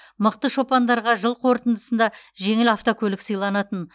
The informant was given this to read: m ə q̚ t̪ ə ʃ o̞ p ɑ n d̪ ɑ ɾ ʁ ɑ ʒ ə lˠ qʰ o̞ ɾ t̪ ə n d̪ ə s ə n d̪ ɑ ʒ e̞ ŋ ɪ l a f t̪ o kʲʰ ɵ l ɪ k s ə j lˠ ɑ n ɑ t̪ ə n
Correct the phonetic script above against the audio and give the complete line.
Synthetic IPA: m ə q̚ t̪ ə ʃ o̞ p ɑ n d̪ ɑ ɾ ʁ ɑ ʒ ə lˠ qʰ o̞ ɾ t̪ ə n d̪ ə s ə n d̪ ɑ ʒ e̞ ŋ ɪ l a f t̪ o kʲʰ ɵ l ɪ k s ə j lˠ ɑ n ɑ t̪ ə n